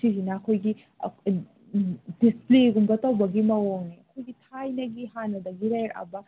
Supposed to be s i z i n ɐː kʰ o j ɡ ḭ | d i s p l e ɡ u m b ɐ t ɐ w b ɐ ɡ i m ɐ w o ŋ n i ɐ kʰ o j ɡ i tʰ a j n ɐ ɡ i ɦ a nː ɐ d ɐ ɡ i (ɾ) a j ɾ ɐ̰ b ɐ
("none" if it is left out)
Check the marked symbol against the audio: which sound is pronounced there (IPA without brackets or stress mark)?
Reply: ɾ